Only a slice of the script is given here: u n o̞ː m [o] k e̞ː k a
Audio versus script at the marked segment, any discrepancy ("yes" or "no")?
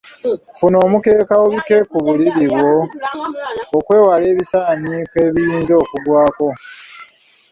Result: yes